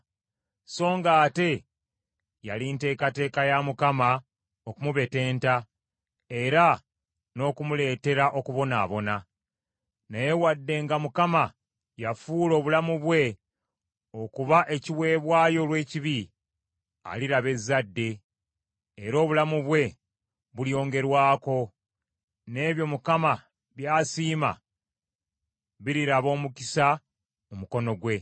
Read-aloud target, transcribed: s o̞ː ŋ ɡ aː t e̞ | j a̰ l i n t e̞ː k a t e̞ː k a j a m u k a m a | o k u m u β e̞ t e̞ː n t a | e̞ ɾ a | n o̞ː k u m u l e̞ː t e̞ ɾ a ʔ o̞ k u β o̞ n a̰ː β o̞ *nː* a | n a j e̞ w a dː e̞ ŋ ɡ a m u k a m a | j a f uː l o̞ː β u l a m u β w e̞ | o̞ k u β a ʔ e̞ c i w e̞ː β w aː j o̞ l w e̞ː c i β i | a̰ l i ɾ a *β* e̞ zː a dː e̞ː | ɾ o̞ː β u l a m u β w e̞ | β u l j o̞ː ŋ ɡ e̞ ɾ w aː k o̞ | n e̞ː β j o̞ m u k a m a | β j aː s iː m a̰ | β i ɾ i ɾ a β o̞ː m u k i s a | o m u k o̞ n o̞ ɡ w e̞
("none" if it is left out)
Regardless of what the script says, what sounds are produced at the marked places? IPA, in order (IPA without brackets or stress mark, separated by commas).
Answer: n, β